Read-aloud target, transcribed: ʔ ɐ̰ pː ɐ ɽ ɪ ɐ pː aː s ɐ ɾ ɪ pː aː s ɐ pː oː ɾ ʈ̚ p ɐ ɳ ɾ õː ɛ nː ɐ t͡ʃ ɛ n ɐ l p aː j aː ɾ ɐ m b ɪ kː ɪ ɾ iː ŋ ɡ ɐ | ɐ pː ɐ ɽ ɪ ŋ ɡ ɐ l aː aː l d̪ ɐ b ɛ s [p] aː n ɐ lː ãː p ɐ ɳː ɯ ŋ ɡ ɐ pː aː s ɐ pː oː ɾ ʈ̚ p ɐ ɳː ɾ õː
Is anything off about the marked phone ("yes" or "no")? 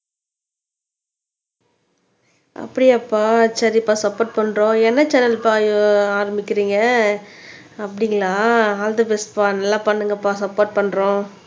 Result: no